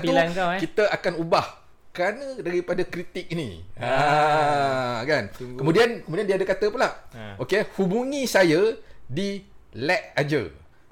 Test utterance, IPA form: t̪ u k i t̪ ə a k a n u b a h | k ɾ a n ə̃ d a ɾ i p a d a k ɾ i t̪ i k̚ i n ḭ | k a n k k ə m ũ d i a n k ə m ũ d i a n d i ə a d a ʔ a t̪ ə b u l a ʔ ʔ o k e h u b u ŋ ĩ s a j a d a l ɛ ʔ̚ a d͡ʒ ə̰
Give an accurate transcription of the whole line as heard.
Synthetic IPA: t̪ u k i t̪ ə a k a n u b a h | k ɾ a n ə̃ d a ɾ i p a d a k ɾ i t̪ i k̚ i n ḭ | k a n k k ə m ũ d i a n k ə m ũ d i a n d i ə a d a k a t̪ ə p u l a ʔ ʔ o k e h u b u ŋ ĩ s a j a d i l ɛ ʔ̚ a d͡ʒ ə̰